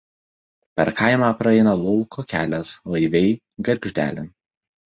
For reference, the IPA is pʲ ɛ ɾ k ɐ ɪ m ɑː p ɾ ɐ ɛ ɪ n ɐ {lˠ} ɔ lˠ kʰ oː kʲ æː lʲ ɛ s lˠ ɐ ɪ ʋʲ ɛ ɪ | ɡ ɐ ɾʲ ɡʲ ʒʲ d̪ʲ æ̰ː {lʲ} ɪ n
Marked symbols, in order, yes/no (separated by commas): yes, yes